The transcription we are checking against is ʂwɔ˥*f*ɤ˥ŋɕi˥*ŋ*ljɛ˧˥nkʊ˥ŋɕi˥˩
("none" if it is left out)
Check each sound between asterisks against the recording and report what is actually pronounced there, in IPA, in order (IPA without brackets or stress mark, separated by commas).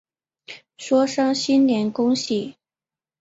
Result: ʂ, n